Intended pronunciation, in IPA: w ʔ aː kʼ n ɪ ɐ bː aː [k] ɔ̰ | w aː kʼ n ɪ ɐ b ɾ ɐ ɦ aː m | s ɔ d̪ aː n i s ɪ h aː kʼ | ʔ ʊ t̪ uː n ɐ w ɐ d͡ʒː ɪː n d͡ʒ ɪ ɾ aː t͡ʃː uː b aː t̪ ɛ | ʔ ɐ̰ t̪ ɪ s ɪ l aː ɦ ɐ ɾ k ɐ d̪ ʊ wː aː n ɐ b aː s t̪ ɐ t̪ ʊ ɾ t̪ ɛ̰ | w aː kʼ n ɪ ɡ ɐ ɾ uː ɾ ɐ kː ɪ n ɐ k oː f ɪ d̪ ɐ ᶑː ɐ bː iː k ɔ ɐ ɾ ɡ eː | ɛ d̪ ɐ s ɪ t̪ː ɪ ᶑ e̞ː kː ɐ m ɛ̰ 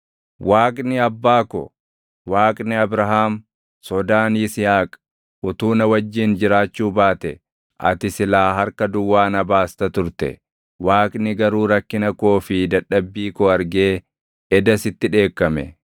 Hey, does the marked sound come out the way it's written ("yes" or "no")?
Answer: yes